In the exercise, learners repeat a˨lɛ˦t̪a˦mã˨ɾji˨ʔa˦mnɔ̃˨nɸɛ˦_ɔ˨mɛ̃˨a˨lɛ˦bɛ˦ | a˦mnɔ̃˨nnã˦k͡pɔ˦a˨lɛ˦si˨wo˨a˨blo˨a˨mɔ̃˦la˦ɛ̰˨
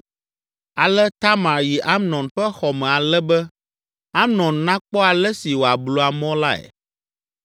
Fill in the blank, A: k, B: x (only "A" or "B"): B